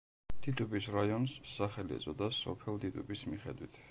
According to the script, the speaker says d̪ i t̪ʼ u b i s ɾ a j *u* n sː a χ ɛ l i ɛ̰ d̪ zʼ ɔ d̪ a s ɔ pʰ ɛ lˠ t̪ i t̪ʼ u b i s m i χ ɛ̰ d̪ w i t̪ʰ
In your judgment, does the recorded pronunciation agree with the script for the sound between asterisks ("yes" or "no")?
no